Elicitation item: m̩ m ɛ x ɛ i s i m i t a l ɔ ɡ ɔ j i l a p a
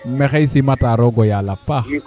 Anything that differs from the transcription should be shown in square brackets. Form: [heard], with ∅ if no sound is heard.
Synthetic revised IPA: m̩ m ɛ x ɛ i s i m [a] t a [ɾ] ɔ ɡ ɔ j [a] l a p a